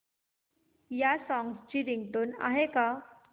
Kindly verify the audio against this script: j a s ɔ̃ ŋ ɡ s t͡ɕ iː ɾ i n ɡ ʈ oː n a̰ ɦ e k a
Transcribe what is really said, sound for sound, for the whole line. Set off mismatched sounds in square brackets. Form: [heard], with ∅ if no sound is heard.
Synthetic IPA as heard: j a s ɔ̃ ŋ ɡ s t͡ɕ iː ɾ i [ŋ] ɡ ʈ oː n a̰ ɦ e k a